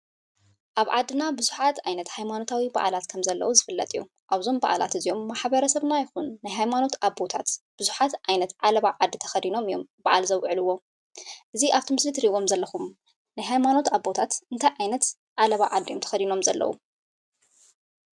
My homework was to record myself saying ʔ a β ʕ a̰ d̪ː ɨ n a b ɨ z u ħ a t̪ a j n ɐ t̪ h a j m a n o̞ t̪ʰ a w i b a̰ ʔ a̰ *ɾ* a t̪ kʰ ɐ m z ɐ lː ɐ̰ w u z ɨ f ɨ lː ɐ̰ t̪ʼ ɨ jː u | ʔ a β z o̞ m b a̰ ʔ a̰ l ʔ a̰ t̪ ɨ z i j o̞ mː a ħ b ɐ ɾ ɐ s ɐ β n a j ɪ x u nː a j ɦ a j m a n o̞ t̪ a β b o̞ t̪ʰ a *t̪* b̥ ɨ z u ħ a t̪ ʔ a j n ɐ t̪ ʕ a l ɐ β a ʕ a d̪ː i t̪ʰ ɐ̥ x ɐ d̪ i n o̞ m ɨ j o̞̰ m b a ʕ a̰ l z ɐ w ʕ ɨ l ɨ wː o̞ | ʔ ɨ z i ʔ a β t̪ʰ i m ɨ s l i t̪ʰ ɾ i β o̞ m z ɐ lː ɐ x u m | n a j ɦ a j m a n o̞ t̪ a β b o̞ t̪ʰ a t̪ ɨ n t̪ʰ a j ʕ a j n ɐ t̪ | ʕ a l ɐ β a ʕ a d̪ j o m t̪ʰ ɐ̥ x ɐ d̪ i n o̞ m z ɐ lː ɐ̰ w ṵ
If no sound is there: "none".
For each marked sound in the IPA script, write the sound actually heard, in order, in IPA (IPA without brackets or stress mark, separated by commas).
l, t̪